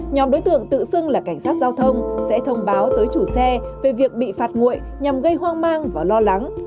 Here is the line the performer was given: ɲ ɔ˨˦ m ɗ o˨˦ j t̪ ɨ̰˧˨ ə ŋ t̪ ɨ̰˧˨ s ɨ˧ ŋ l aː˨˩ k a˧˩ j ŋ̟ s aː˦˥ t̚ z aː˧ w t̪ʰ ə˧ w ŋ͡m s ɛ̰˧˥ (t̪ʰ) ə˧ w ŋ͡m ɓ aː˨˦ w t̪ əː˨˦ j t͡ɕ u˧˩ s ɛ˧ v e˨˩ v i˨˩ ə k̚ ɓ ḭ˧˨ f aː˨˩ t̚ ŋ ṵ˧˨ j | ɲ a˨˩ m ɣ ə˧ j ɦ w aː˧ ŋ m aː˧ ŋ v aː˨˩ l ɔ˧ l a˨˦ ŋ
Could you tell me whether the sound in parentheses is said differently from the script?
no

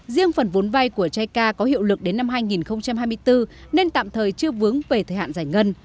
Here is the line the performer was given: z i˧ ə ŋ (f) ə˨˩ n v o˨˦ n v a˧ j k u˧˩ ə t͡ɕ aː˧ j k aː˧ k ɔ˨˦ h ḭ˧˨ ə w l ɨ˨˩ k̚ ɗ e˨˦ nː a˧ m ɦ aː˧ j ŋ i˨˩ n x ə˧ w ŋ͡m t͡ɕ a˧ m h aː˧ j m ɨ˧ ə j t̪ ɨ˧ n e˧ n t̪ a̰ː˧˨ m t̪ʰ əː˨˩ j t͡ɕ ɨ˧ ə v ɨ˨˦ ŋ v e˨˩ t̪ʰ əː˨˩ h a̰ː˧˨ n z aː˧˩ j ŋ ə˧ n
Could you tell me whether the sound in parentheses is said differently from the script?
no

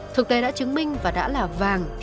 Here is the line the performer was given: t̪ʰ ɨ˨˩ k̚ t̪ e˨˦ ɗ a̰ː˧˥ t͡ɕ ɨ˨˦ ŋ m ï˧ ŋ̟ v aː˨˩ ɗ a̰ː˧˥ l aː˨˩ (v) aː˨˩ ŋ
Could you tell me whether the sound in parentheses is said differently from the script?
no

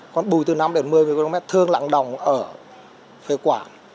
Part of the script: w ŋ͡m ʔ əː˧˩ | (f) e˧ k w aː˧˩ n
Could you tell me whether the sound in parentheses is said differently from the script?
no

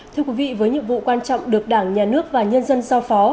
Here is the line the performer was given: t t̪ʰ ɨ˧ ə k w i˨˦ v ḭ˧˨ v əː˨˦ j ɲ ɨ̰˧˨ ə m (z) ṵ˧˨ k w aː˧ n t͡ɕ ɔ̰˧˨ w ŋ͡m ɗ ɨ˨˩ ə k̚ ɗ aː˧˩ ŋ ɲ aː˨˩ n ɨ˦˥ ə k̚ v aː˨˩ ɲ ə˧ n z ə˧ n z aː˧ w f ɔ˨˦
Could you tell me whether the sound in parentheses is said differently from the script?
yes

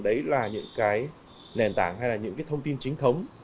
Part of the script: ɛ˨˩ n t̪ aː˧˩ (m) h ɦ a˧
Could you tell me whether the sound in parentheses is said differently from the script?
yes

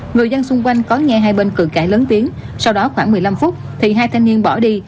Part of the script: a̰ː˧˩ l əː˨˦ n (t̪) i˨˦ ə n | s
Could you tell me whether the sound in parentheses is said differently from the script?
no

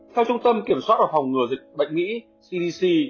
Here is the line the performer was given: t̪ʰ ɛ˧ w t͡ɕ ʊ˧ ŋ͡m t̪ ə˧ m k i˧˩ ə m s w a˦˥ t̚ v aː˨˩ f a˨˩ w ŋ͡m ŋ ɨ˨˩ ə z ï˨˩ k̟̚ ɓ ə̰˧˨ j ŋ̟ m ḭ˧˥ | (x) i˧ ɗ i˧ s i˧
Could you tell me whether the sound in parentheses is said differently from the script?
yes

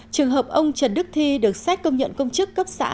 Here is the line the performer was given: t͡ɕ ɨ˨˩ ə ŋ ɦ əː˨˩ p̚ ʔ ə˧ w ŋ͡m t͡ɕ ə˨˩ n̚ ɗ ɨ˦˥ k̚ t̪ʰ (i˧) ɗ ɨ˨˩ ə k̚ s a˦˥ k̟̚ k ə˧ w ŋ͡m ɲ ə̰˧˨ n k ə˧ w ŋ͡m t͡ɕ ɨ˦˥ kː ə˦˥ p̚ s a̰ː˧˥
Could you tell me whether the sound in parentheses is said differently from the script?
no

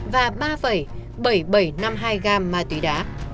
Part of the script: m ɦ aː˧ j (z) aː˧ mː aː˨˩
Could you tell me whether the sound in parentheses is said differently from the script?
yes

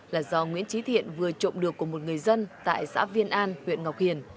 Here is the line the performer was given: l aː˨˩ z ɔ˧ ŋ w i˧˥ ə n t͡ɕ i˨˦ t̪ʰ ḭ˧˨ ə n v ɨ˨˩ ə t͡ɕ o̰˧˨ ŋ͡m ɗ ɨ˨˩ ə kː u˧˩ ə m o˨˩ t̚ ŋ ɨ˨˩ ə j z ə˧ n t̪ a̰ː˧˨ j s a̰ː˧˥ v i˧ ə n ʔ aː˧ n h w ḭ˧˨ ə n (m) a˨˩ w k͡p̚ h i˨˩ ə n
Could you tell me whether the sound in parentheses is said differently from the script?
yes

